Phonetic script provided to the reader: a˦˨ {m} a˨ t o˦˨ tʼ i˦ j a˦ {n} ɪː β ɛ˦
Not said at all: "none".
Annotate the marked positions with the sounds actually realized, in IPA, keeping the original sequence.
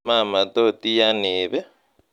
m, n

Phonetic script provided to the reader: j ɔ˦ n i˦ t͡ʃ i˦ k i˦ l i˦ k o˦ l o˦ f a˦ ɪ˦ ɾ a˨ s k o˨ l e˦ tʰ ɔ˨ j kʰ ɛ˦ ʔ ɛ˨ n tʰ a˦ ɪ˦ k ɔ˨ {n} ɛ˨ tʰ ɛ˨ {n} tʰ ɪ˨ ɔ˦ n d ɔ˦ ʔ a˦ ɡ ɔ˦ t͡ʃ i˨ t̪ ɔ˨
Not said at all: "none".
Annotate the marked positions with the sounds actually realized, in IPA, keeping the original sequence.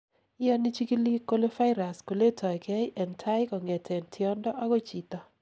ŋ, n

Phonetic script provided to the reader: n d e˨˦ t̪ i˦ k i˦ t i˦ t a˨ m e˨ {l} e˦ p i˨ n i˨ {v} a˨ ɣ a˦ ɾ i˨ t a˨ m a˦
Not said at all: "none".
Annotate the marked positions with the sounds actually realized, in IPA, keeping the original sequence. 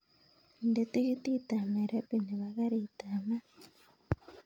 ɾ, β

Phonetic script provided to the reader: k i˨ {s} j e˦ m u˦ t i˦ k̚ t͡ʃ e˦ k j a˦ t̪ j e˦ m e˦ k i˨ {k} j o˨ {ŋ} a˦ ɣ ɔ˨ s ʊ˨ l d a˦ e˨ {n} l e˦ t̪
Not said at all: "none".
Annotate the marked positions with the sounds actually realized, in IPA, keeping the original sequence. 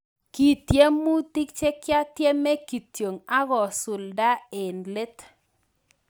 t, t, ŋ, n

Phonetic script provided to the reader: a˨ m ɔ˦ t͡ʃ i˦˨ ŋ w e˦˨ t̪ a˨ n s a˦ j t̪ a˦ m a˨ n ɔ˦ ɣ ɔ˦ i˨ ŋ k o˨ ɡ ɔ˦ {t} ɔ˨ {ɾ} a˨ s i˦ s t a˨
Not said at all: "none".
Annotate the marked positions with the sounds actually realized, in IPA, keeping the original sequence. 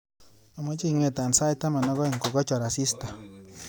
t͡ʃ, ɾ

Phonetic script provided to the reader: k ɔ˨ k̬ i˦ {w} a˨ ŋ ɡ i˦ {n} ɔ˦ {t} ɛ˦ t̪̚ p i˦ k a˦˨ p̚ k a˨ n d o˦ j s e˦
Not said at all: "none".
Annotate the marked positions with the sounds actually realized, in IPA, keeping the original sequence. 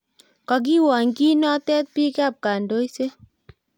w, n, t

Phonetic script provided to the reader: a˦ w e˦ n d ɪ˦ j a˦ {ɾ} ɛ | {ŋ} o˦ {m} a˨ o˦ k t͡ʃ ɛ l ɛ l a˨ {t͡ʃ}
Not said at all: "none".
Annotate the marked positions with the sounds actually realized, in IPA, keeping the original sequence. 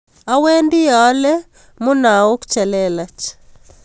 l, m, n, t͡ʃ

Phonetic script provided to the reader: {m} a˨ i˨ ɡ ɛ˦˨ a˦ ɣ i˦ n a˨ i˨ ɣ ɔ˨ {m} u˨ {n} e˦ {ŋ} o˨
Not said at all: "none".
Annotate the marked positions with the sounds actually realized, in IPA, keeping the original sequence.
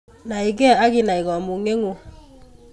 n, m, ŋ, ŋ

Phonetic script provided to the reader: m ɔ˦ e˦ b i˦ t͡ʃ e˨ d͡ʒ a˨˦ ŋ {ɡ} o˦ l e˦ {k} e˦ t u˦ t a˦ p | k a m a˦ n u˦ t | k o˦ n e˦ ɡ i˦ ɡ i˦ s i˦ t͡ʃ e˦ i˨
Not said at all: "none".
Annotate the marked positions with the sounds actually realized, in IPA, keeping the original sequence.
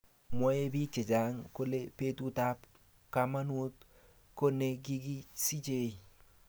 k, p

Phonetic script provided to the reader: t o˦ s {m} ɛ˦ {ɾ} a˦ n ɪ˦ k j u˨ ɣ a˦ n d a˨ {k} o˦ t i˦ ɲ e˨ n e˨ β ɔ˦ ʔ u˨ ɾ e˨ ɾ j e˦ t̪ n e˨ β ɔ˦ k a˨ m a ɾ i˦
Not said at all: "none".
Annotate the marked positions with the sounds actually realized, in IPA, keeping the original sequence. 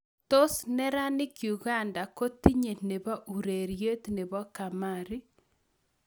n, ɾ, k

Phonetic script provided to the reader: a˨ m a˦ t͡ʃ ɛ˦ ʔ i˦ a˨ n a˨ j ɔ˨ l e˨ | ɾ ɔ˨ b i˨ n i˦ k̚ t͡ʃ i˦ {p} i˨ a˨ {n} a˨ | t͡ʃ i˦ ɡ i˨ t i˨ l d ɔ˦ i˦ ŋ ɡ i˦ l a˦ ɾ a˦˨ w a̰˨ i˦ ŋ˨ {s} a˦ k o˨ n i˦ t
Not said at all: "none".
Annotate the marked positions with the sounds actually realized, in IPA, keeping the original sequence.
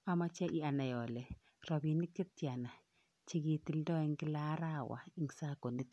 t, n, s

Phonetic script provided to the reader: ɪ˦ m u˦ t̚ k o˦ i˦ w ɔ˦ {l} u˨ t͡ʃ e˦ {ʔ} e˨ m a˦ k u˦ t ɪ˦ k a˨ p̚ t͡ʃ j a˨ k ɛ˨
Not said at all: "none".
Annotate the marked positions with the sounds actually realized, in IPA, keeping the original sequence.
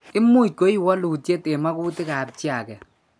l, t

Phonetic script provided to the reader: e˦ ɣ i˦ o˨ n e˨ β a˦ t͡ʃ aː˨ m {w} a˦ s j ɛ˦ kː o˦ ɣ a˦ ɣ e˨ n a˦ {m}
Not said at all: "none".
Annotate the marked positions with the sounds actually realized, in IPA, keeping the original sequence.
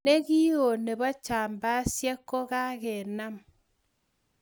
b, m

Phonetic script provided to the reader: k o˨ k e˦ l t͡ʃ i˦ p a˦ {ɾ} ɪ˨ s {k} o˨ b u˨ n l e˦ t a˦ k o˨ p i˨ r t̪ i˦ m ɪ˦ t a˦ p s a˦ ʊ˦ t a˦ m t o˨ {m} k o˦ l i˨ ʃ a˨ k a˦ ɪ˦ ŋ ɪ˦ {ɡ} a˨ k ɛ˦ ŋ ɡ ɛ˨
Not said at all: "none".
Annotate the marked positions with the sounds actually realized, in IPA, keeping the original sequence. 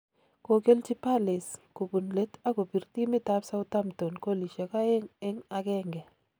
l, k, n, ŋ

